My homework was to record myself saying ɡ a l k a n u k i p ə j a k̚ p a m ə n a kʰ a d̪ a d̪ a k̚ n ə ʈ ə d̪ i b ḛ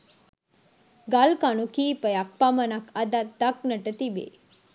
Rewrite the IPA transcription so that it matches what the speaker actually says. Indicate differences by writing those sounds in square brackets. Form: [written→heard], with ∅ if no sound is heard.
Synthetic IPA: ɡ a l k a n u k i p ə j a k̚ p a m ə n a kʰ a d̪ a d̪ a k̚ n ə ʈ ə [d̪→t̪] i b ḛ